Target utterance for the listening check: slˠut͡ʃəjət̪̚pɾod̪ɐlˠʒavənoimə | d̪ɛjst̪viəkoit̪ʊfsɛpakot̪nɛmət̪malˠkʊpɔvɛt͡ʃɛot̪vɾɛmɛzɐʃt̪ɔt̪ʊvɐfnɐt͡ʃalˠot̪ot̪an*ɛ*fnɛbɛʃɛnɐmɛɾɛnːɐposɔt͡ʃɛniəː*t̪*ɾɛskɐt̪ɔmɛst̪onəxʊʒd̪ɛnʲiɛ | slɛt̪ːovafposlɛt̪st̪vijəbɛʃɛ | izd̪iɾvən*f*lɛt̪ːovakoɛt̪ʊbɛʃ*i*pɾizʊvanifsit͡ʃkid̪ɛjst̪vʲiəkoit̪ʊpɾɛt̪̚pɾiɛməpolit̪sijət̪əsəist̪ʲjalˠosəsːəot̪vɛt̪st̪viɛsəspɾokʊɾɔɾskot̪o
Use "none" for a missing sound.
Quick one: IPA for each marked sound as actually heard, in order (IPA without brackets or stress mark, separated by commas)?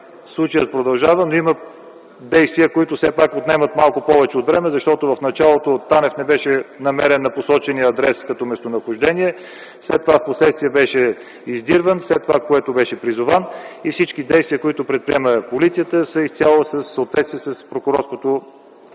ɛ, d̪, s, ɛ